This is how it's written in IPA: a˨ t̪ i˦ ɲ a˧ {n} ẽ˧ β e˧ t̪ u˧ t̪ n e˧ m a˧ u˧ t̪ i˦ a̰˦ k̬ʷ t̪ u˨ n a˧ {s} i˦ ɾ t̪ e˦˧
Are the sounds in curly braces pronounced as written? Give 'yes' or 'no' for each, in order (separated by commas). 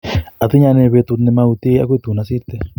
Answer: yes, yes